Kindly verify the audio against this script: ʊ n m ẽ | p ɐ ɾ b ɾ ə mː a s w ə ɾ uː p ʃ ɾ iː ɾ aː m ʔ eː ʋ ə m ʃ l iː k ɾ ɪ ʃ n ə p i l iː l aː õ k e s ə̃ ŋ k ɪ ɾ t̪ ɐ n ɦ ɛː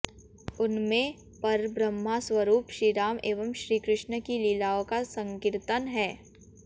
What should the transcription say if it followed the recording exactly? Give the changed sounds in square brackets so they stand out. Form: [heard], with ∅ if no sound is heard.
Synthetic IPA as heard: ʊ n m ẽ | p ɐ ɾ b ɾ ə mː a s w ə ɾ uː p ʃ ɾ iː ɾ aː m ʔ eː ʋ ə m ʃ [ɾ] iː k ɾ ɪ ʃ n ə [k] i l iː l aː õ k [a] s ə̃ ŋ k ɪ ɾ t̪ [ə] n ɦ ɛː